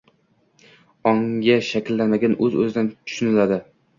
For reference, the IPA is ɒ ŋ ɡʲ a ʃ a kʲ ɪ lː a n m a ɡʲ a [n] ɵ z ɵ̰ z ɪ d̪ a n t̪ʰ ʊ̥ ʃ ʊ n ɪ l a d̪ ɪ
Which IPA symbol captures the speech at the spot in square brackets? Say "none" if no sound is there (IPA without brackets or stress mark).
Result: n